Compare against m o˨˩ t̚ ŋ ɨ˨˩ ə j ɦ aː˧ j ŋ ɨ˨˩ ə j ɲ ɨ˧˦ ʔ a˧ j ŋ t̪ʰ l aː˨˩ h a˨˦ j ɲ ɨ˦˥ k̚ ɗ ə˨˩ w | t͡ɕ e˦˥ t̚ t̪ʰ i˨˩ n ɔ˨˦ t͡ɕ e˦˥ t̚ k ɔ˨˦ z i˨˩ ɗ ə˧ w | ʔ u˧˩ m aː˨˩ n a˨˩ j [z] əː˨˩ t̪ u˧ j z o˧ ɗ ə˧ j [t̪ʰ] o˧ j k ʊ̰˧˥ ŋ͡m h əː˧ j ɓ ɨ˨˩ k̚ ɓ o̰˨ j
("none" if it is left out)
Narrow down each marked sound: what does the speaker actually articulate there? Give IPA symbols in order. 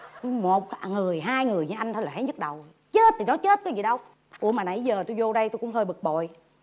z, t̪

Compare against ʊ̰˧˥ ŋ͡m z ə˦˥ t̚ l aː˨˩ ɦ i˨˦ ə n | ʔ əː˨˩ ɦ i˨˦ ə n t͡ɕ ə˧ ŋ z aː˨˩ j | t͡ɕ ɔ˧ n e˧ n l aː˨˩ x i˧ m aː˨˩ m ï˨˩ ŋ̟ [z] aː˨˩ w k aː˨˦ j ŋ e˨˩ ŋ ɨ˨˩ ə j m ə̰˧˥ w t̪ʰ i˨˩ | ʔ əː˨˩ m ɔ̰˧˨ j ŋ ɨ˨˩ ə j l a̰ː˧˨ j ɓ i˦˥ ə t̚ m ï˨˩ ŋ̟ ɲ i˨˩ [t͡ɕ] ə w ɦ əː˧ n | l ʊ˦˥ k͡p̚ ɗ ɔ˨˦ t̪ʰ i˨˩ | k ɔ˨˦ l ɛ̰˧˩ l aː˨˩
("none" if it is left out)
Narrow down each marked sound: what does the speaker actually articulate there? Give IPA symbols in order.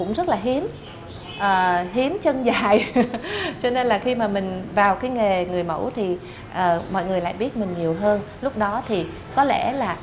v, none

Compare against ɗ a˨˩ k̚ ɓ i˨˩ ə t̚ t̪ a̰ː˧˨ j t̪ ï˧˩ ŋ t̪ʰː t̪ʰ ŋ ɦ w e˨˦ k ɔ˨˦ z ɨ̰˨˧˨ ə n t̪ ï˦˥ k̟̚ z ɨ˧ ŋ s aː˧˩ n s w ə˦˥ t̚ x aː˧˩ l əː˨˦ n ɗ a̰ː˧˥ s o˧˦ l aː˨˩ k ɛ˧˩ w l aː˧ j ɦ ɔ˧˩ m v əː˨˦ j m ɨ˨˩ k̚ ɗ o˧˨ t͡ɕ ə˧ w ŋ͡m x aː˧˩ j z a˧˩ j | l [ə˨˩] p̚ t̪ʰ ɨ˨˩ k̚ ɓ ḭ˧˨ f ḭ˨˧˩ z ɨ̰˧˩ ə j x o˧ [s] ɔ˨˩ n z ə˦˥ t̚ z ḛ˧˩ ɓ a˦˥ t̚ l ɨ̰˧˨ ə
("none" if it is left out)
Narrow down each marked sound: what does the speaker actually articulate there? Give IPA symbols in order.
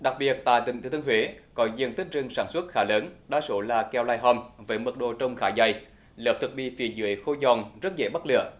əː˨˩, z

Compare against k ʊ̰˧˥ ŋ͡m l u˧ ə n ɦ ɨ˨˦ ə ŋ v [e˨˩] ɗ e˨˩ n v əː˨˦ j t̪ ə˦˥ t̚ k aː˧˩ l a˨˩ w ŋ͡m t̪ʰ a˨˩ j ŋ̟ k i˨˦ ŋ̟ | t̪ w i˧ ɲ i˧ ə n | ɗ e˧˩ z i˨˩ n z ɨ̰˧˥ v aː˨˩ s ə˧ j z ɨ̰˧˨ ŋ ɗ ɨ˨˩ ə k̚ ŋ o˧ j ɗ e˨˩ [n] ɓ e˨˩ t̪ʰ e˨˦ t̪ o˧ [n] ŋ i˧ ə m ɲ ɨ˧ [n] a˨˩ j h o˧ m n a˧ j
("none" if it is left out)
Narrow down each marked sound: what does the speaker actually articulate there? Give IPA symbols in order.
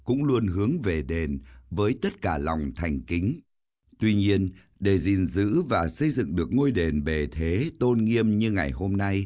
e˨˩, n, n, ŋ

